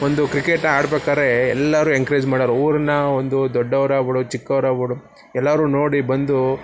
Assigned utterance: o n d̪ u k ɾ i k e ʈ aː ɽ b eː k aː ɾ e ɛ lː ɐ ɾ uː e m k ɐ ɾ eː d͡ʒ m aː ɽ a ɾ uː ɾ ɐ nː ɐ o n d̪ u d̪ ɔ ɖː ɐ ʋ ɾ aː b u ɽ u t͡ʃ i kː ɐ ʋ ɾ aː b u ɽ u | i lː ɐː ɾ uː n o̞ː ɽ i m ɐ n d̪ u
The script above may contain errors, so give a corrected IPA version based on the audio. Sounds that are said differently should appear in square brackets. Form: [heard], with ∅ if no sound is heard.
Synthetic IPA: o n d̪ u k ɾ i k e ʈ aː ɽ b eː k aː ɾ e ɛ lː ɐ ɾ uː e [ŋ] k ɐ ɾ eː d͡ʒ m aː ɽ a ɾ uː ɾ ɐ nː ɐ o n d̪ u d̪ ɔ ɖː ɐ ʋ ɾ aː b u ɽ u t͡ʃ i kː ɐ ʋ ɾ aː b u ɽ u | [ɛ] lː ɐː ɾ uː n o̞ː ɽ i [b] ɐ n d̪ u